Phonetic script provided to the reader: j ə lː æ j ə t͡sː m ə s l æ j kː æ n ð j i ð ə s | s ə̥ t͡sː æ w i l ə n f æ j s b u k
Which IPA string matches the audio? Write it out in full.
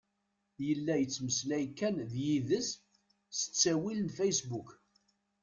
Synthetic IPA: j ə lː æ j ə t͡sː m ə s l æ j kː æ n ð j i ð ə s | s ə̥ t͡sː æ w i l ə n f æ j s b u k